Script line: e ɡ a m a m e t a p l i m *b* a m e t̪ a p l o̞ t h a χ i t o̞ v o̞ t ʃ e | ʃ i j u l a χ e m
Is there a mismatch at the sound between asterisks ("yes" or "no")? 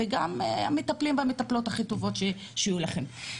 no